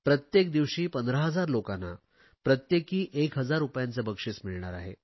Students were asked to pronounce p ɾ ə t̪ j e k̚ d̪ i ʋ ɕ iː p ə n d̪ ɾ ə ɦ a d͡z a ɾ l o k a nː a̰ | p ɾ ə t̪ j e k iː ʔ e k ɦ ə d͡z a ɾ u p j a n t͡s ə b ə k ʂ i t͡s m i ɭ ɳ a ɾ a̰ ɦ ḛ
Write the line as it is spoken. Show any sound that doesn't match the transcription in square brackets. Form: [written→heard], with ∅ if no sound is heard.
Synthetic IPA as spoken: p ɾ ə t̪ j e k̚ d̪ i ʋ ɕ iː p ə n d̪ ɾ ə ɦ [a→ə] d͡z a ɾ l o k a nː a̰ | p ɾ ə t̪ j e k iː ʔ e k ɦ ə d͡z a ɾ u p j a n t͡s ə b ə k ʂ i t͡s m i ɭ ɳ a ɾ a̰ ɦ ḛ